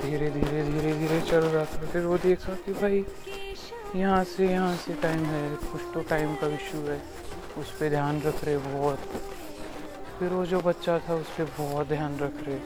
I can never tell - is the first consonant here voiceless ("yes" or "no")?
no